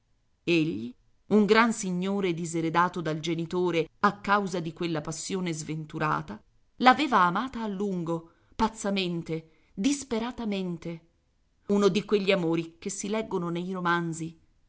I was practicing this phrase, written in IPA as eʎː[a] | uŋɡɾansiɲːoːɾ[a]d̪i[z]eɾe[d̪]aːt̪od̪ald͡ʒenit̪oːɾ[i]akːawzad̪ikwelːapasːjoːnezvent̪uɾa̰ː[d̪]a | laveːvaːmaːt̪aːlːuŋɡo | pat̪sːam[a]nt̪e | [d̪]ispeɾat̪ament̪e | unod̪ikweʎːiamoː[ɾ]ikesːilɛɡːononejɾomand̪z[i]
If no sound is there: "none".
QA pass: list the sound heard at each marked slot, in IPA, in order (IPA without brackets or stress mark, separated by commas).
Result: i, e, z, d̪, e, t̪, e, d̪, ɾ, i